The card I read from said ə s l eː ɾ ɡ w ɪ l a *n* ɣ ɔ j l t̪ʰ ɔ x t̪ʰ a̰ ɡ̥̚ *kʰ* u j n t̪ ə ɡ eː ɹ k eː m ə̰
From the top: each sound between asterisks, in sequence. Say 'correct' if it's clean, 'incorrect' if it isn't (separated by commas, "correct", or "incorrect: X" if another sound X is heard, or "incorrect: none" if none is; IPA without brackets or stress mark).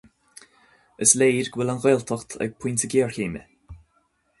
correct, incorrect: pʰ